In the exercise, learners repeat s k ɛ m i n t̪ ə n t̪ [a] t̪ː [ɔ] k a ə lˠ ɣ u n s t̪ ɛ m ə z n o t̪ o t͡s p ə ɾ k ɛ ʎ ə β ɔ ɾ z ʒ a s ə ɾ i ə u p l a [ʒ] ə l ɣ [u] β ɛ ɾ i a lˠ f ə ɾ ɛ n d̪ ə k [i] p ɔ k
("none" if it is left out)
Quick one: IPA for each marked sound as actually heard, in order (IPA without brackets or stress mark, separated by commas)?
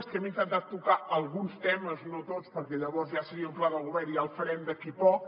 a, u, ð, u, i